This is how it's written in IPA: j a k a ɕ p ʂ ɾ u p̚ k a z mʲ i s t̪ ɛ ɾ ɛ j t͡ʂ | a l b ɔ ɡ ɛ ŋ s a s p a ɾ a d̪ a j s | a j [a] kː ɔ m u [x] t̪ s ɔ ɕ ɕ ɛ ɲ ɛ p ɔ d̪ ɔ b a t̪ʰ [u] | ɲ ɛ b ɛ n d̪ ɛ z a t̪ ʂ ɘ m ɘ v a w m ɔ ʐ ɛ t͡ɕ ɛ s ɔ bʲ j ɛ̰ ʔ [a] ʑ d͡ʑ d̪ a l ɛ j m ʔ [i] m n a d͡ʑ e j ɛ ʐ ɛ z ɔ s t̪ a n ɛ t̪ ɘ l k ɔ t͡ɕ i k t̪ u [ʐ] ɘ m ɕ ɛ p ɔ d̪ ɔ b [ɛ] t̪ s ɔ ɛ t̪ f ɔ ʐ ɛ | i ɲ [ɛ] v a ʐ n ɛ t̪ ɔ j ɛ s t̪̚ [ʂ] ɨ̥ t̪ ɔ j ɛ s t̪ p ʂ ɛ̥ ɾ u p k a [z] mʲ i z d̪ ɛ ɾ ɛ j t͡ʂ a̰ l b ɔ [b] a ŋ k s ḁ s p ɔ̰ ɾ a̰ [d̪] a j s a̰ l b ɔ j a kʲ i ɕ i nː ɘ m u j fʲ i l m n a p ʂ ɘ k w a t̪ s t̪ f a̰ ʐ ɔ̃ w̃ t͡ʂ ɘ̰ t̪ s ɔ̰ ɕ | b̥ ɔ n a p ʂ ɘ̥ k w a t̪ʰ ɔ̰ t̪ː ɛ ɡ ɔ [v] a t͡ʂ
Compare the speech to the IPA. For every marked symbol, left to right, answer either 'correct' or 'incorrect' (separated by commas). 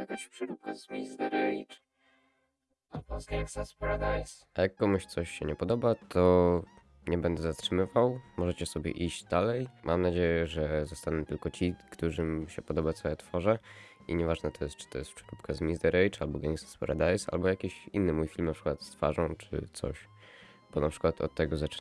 correct, incorrect, incorrect, incorrect, incorrect, correct, incorrect, correct, incorrect, correct, incorrect, correct, incorrect